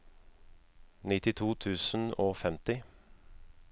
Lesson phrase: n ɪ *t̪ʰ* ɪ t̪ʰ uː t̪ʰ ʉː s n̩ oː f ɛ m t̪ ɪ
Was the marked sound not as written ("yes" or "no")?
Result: yes